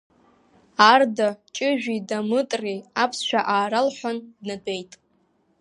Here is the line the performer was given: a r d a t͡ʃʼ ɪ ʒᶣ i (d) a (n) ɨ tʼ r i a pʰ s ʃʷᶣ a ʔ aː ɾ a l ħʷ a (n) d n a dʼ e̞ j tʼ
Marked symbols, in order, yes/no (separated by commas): yes, no, yes